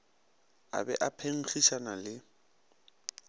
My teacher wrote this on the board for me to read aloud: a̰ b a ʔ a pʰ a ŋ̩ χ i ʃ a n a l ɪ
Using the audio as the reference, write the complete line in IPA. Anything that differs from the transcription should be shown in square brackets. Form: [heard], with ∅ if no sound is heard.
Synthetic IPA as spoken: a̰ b [ɛ] ʔ a pʰ [e] ŋ̩ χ i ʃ a n a l ɪ